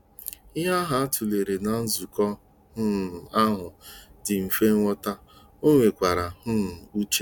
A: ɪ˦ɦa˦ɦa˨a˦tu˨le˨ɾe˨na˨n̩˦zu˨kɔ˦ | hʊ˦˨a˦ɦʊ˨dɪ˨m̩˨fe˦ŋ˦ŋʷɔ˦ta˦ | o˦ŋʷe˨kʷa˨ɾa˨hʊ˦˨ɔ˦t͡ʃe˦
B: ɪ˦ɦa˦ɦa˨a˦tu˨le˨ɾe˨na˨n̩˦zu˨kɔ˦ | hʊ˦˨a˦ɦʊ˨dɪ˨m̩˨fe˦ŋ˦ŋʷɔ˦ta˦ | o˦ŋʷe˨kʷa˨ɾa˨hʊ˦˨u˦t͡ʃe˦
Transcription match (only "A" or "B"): B